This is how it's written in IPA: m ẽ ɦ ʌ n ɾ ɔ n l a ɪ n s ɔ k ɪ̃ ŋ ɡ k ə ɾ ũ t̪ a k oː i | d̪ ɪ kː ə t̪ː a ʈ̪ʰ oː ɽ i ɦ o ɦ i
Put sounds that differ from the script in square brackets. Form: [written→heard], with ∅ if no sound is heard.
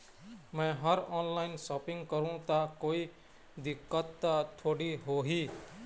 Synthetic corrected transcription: m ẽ ɦ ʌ [n→∅] ɾ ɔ n l a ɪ n s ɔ [k→p] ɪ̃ ŋ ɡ k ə ɾ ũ t̪ a k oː i | d̪ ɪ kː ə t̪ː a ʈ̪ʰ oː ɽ i ɦ o ɦ i